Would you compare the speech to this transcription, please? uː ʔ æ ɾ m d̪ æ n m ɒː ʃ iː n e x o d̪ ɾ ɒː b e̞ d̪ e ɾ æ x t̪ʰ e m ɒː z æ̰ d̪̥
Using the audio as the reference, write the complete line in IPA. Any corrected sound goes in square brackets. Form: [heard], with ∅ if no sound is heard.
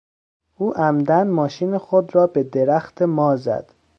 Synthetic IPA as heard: uː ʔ æ [∅] m d̪ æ n m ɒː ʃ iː n e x o d̪ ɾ ɒː b e̞ d̪ e ɾ æ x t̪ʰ e m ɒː z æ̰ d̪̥